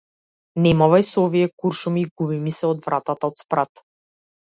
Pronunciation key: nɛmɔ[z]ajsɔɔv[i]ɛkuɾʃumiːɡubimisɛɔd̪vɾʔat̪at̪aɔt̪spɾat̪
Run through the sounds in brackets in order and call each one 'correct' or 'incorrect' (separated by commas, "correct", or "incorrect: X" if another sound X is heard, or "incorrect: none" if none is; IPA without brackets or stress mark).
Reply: incorrect: v, correct